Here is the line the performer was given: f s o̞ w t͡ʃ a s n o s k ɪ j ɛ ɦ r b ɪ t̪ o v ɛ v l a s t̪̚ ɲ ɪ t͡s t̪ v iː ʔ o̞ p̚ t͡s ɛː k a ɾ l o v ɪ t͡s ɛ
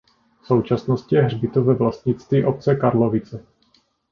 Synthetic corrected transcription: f s o̞ w t͡ʃ a s n o s c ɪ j ɛ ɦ r b ɪ t̪ o v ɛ v l a s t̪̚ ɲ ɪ t͡s t̪ v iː ʔ o̞ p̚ t͡s ɛ k a ɾ l o v ɪ t͡s ɛ

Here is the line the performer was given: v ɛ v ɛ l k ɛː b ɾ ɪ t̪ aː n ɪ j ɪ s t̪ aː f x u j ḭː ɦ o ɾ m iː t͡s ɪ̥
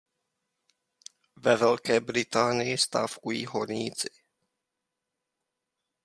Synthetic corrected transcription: v ɛ v ɛ l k ɛː b ɾ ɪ t̪ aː n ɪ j ɪ s t̪ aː f k u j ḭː ɦ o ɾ ɲ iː t͡s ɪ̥

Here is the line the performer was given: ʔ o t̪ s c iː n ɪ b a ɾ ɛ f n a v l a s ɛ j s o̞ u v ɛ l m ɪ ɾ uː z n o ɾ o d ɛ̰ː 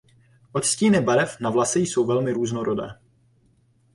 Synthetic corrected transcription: ʔ o t̪ s c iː n ɪ b a ɾ ɛ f n a v l a s ɛ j s o̞ w v ɛ l m ɪ ɾ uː z n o ɾ o d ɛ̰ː

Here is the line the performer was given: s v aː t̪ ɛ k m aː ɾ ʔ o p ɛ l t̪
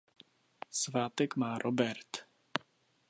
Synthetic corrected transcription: s v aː t̪ ɛ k m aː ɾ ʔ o b ɛ ɾ t̪

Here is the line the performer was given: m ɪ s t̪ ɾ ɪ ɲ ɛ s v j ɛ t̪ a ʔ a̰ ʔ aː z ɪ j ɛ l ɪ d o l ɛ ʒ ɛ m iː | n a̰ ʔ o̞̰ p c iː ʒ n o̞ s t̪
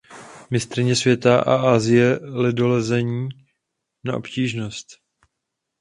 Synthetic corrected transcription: m ɪ s t̪ ɾ ɪ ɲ ɛ s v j ɛ t̪ a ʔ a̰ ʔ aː z ɪ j ɛ l ɪ d o l ɛ z ɛ ɲ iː | n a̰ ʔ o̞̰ p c iː ʒ n o̞ s t̪

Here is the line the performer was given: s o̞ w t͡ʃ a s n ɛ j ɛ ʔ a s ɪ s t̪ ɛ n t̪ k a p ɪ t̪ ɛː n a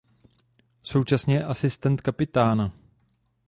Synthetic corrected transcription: s o̞ w t͡ʃ a s ɲ ɛ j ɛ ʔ a s ɪ s t̪ ɛ n t̪ k a p ɪ t̪ aː n a

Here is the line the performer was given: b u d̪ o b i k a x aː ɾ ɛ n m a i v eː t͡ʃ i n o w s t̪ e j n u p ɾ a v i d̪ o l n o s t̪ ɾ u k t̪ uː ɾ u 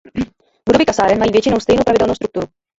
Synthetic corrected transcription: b u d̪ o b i k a s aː ɾ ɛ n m a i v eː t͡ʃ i n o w s t̪ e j n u p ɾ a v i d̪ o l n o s t̪ ɾ u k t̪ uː ɾ u

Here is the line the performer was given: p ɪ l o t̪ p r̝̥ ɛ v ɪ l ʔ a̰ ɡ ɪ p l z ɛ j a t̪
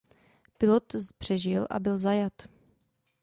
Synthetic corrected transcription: p ɪ l o t̪ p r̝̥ ɛ ʒ ɪ l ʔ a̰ b ɪ l z a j a t̪

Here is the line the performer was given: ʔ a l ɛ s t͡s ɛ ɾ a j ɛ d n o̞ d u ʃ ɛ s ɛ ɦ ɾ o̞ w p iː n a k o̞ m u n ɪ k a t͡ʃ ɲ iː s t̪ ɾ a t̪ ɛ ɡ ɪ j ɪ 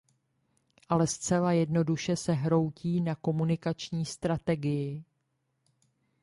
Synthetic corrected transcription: ʔ a l ɛ s t͡s ɛ l a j ɛ d n o̞ d u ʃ ɛ s ɛ ɦ ɾ o̞ w c iː n a k o̞ m u n ɪ k a t͡ʃ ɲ iː s t̪ ɾ a t̪ ɛ ɡ ɪ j ɪ

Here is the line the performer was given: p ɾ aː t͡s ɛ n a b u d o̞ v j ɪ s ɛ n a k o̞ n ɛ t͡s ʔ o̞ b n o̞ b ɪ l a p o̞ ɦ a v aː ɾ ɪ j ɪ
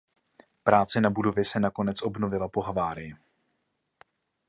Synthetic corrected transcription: p ɾ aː t͡s ɛ n a b u d o̞ v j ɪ s ɛ n a k o̞ n ɛ t͡s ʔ o̞ b n o̞ v ɪ l a p o̞ ɦ a v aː ɾ ɪ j ɪ

